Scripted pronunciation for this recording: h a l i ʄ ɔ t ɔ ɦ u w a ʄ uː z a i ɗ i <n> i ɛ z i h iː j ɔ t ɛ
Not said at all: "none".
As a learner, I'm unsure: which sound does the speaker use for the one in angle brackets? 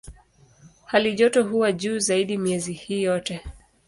m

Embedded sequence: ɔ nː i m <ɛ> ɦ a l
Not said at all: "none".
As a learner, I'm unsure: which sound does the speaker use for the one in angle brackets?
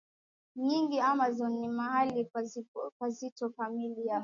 a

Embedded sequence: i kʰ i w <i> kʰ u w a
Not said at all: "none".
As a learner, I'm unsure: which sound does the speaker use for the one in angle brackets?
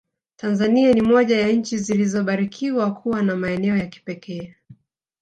a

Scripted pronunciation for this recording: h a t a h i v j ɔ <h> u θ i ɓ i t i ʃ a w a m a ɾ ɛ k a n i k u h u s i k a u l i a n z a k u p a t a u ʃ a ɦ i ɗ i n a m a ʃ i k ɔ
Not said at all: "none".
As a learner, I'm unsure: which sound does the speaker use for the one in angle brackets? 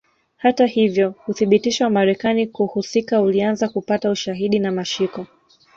h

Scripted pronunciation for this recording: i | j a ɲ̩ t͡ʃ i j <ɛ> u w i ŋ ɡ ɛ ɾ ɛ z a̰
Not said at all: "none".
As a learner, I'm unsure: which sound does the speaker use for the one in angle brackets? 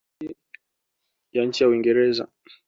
a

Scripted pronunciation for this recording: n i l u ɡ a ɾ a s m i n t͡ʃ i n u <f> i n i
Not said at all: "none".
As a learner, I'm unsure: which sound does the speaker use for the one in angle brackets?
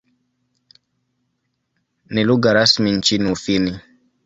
f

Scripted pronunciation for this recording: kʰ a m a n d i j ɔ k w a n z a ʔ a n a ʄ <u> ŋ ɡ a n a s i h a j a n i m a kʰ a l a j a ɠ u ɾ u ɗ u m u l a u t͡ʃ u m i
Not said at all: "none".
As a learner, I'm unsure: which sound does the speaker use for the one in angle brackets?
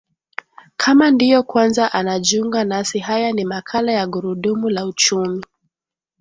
u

